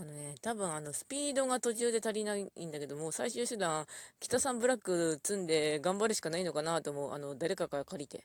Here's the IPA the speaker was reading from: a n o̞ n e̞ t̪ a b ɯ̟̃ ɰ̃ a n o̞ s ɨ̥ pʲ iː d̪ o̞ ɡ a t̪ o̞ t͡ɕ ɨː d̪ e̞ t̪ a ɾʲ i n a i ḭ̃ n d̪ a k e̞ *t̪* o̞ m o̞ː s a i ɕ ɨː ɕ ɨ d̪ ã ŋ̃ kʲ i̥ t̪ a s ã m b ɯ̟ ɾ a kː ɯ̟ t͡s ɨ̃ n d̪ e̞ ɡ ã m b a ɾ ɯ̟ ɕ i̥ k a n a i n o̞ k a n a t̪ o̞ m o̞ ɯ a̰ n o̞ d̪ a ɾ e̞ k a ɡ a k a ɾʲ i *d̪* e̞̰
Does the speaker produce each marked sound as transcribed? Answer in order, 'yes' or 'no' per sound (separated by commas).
no, no